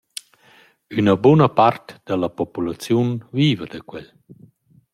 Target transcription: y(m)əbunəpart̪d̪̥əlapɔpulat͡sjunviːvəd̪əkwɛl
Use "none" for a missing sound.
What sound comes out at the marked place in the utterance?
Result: n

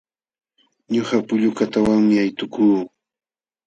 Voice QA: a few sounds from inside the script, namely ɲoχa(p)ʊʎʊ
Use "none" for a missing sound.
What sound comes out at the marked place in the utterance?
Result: p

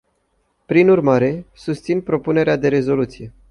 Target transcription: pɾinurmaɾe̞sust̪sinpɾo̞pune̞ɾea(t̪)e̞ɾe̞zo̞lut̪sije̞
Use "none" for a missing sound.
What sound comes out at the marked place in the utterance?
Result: d̪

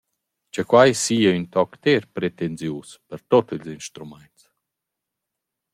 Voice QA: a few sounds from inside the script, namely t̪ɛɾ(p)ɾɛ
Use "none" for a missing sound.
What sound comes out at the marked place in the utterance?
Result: p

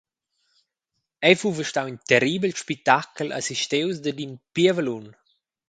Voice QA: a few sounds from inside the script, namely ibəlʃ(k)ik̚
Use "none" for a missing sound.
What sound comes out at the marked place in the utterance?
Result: p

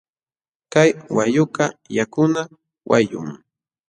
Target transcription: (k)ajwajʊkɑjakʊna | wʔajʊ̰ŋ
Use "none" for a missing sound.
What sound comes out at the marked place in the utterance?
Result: k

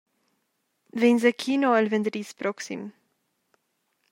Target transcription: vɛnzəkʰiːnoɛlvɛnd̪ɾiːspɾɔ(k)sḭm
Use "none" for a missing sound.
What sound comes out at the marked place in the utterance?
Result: k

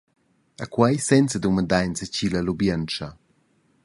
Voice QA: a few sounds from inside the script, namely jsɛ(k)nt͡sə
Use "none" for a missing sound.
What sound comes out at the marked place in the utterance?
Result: none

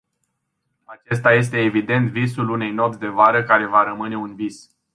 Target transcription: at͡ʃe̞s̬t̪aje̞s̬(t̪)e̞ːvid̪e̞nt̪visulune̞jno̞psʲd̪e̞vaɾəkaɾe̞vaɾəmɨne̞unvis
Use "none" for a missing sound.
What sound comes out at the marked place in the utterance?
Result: t̪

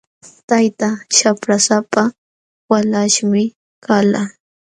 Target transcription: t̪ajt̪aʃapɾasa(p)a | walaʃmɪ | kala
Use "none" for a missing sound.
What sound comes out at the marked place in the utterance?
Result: p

